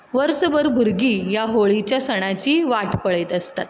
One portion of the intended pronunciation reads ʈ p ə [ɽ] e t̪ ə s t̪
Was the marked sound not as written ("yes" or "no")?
yes